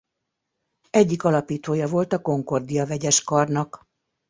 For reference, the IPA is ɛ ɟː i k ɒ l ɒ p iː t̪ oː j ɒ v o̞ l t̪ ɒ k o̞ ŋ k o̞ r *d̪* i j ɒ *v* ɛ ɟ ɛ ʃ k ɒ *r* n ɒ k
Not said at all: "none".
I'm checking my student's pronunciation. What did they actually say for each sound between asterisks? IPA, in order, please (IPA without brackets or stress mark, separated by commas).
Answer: d̪, v, r